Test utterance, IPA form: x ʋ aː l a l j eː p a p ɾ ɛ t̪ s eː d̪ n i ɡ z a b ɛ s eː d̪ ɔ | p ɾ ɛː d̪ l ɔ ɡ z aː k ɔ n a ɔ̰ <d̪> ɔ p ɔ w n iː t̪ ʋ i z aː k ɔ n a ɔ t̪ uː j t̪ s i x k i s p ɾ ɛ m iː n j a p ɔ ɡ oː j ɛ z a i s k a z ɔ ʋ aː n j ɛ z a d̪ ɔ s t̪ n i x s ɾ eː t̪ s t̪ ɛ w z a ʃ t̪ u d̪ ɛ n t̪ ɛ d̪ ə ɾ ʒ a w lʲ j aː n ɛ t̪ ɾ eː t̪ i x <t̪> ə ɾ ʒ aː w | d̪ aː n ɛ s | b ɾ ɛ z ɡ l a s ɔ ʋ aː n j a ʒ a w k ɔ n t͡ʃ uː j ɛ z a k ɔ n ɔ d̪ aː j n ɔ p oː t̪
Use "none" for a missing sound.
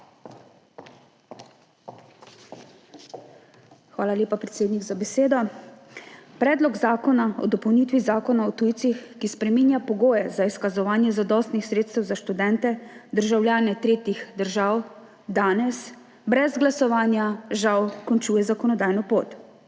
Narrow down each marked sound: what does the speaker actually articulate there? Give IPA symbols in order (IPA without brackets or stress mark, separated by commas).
d̪, d̪